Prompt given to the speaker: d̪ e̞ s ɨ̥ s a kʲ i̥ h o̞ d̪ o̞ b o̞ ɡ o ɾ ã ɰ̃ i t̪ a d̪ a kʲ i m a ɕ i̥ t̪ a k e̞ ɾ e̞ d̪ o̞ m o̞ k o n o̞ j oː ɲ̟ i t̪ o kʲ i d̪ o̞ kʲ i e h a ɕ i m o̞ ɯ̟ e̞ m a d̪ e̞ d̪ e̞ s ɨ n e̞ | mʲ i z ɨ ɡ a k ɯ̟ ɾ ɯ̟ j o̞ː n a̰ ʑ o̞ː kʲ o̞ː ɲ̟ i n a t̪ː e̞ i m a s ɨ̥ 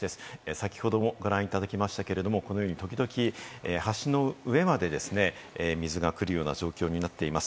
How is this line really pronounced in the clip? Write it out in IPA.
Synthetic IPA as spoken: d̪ e̞ s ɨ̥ s a kʲ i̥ h o̞ d̪ o̞ m o̞ ɡ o ɾ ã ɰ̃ i t̪ a d̪ a kʲ i m a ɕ i̥ t̪ a k e̞ ɾ e̞ d̪ o̞ m o̞ k o n o̞ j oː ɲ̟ i t̪ o kʲ i d̪ o̞ kʲ i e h a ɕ i n o̞ ɯ̟ e̞ m a d̪ e̞ d̪ e̞ s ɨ n e̞ | mʲ i z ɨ ɡ a k ɯ̟ ɾ ɯ̟ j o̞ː n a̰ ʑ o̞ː kʲ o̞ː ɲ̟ i n a t̪ː e̞ i m a s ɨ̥

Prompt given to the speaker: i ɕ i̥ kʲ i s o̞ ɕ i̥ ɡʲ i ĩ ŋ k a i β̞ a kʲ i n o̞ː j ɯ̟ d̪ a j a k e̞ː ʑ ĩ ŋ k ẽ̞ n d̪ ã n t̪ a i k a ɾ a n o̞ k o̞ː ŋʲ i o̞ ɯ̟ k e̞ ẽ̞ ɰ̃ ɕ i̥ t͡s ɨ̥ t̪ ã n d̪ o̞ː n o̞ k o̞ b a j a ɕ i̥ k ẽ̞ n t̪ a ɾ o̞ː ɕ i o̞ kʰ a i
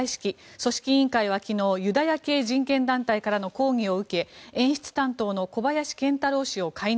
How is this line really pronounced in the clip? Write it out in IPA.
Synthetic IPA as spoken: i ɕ i̥ kʲ i s o̞ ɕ i̥ kʲ i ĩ ŋ k a i β̞ a kʲ i n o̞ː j ɯ̟ d̪ a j a k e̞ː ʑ ĩ ŋ k ẽ̞ n d̪ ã n t̪ a i k a ɾ a n o̞ k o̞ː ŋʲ i o̞ ɯ̟ k e̞ ẽ̞ ɰ̃ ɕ i̥ t͡s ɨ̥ t̪ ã n t̪ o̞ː n o̞ k o̞ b a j a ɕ i̥ k ẽ̞ n t̪ a ɾ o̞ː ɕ i o̞ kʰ a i

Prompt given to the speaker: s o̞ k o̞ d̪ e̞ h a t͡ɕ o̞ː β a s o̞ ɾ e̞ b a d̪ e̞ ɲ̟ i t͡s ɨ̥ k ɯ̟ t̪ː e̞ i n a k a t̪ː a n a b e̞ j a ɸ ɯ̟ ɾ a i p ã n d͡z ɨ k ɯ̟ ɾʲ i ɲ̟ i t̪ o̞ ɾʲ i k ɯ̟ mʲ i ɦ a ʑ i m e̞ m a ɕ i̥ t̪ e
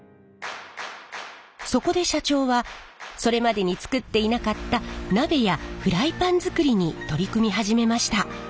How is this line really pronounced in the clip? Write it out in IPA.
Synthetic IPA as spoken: s o̞ k o̞ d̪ e̞ ɕ a t͡ɕ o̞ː β a s o̞ ɾ e̞ m a d̪ e̞ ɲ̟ i t͡s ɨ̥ k ɯ̟ t̪ː e̞ i n a k a t̪ː a n a b e̞ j a ɸ ɯ̟ ɾ a i p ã n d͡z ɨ k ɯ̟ ɾʲ i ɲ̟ i t̪ o̞ ɾʲ i k ɯ̟ mʲ i ɦ a ʑ i m e̞ m a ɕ i̥ t̪ a

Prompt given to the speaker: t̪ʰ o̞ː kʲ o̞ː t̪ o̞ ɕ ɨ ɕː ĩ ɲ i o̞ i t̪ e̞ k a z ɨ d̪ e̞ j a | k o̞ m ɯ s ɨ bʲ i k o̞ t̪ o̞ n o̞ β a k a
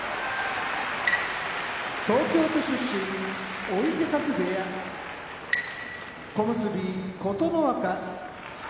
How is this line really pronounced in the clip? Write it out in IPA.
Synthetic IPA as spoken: t̪ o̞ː kʲ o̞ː t̪ o̞ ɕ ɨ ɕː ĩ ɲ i o̞ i t̪ e̞ k a z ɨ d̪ e̞ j a | k o̞ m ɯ s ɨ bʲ i k o̞ t̪ o̞ n o̞ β a k a

